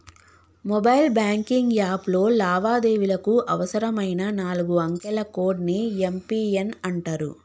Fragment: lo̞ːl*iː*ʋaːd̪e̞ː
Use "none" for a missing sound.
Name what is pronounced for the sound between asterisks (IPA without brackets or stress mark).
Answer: aː